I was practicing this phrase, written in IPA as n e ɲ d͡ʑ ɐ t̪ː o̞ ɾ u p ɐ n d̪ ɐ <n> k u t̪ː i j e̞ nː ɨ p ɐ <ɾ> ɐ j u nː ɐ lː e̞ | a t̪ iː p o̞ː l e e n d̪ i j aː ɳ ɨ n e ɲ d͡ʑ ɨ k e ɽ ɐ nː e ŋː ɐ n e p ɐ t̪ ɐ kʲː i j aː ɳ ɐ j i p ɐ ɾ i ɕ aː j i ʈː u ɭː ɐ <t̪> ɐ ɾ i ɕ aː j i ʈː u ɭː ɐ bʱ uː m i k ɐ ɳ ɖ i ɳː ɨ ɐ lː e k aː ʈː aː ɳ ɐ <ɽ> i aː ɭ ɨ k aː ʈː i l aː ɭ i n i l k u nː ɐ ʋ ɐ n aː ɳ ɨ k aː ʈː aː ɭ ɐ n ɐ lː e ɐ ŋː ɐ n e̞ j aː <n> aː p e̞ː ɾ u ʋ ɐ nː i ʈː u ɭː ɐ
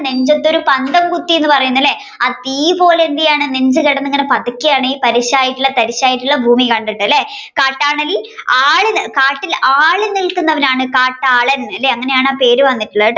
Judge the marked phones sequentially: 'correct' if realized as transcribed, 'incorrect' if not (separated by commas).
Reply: incorrect, incorrect, correct, incorrect, incorrect